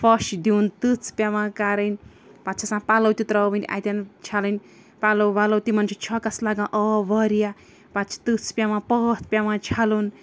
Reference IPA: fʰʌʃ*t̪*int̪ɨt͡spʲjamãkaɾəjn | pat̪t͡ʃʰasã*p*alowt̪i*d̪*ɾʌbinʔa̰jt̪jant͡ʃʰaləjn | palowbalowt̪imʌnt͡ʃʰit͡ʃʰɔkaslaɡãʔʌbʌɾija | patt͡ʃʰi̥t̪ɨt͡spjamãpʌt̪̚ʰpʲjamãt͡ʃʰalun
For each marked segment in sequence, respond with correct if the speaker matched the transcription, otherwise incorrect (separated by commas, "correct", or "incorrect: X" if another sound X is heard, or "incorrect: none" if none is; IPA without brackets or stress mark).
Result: incorrect: d̪, correct, incorrect: t̪